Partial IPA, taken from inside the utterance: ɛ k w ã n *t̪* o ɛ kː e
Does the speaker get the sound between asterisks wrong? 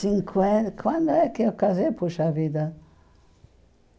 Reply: yes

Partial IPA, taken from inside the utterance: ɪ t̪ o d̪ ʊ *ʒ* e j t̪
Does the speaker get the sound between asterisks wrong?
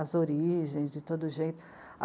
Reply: no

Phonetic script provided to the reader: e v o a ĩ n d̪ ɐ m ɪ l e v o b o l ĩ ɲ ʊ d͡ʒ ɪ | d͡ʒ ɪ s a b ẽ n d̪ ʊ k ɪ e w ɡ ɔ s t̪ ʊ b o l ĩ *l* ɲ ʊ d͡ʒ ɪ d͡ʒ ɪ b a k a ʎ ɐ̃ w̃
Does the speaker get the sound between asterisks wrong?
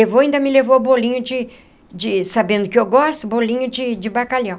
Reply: yes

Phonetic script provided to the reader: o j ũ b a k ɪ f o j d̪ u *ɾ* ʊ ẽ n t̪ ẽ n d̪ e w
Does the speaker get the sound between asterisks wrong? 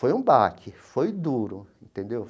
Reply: no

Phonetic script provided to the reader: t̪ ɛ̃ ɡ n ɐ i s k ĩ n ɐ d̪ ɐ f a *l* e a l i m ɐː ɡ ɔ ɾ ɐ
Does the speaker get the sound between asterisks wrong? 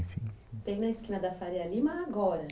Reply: yes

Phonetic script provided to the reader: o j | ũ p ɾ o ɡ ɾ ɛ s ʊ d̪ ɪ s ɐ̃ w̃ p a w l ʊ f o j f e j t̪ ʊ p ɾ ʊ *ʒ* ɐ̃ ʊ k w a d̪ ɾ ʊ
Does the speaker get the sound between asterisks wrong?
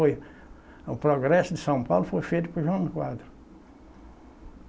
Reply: no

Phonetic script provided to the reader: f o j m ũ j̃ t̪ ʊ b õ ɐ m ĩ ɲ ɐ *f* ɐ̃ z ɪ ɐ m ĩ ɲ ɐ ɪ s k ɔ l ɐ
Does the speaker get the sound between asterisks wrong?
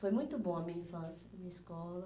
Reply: no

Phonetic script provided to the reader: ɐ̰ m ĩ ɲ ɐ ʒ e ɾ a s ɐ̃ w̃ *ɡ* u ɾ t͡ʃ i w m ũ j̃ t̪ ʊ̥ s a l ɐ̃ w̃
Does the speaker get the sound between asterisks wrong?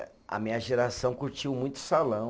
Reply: yes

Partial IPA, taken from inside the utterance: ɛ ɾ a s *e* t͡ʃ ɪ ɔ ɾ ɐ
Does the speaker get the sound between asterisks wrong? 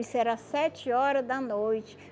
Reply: yes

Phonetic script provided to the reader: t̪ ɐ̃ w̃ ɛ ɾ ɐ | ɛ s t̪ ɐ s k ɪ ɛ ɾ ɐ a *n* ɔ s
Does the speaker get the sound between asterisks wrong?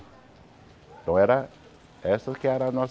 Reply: no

